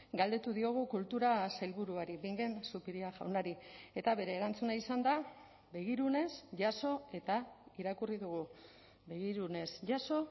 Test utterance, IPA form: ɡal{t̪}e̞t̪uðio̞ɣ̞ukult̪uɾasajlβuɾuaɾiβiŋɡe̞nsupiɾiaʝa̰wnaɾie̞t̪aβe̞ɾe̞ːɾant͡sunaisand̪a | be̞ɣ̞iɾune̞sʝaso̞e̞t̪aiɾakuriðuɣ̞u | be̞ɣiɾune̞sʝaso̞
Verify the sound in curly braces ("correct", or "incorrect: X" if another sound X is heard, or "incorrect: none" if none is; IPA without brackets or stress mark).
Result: incorrect: d̪